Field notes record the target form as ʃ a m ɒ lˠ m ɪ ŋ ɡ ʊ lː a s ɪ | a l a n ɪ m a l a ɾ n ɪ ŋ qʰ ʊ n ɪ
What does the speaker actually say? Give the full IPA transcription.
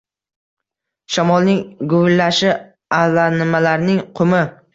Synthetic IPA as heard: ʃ a m ɒ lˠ n ɪ ŋ ɡ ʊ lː a ʃ ɪ | a l a n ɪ m a l a ɾ n ɪ ŋ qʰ ʊ m ɪ

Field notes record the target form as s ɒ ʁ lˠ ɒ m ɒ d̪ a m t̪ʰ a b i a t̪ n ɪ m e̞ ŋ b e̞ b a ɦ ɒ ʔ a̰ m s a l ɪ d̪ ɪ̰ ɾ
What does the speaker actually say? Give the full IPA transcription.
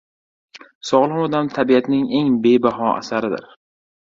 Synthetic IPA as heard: s ɒ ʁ lˠ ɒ m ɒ d̪ a m t̪ʰ a b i a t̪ n ɪ ŋ e̞ ŋ b e̞ b a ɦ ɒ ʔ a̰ s a ɾ ɪ d̪ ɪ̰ ɾ

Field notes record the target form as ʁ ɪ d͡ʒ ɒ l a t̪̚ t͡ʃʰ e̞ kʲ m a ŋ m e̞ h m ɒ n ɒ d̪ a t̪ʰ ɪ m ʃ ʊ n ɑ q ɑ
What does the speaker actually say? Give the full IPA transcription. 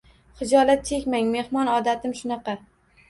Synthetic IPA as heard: χ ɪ d͡ʒ ɒ l a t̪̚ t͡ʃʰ e̞ kʲ m a ŋ m e̞ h m ɒ n ɒ d̪ a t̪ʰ ɪ m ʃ ʊ n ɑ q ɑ

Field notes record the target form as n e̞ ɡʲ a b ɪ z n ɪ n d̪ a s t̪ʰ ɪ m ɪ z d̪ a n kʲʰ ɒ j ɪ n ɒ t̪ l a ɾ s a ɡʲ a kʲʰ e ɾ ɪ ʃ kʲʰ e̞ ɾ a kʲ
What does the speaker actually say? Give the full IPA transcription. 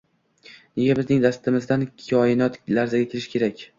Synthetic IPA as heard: n e̞ ɡʲ a b ɪ z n ɪ ŋ d̪ a s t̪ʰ ɪ m ɪ z d̪ a n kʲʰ ɒ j ɪ n ɒ t̪ l a ɾ z a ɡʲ a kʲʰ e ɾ ɪ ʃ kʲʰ e̞ ɾ a kʲ

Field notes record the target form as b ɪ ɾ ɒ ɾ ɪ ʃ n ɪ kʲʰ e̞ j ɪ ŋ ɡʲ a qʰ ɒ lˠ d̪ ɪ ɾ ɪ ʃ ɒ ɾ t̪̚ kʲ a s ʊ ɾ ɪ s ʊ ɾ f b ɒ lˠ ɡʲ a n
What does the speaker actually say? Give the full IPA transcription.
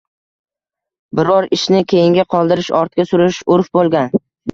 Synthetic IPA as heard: b ɪ ɾ ɒ ɾ ɪ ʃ n ɪ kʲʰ e̞ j ɪ ŋ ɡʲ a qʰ ɒ lˠ d̪ ɪ ɾ ɪ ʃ ɒ ɾ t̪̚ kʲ a s ʊ ɾ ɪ ʃ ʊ ɾ f b o lˠ ɡʲ a n

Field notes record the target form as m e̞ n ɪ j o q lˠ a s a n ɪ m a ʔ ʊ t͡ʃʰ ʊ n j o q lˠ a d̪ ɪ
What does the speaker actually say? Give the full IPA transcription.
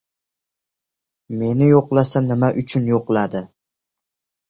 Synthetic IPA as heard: m e̞ n ɪ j o q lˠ a s a n ɪ m a ʔ ʊ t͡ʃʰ ʊ n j o q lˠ a d̪ ɪ

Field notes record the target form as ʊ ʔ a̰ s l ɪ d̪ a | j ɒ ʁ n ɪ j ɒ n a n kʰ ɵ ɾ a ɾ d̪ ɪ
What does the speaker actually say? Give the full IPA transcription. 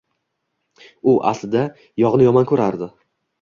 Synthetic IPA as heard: ʊ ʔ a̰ s l ɪ d̪ a | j ɒ ʁ n ɪ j ɒ m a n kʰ ɵ ɾ a ɾ d̪ ɪ

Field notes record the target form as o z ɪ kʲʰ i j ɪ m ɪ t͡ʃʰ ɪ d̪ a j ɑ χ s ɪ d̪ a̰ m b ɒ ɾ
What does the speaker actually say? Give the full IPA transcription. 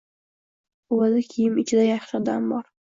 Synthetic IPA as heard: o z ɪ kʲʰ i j ɪ m ɪ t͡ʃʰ ɪ d̪ a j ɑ χ ʃ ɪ d̪ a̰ m b ɒ ɾ

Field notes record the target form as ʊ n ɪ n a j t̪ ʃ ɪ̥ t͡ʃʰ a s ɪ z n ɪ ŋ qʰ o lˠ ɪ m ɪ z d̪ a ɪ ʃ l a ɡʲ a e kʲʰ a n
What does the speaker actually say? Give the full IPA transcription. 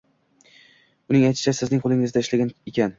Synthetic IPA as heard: ʊ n ɪ ŋ a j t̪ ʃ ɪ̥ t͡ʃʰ a s ɪ z n ɪ ŋ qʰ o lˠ ɪ ŋ ɪ z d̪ a ɪ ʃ l a ɡʲ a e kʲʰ a n

